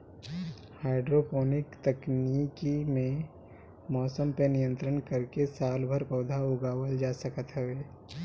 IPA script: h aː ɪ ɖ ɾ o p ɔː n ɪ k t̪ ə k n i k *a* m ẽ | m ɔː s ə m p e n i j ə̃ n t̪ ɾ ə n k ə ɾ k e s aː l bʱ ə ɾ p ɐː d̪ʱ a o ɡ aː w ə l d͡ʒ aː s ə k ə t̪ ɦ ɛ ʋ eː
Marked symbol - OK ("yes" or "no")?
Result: no